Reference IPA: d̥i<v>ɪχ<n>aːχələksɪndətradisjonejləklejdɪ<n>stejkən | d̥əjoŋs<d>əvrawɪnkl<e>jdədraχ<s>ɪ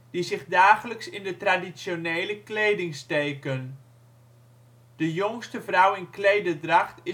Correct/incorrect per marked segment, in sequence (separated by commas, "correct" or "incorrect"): incorrect, incorrect, incorrect, incorrect, correct, incorrect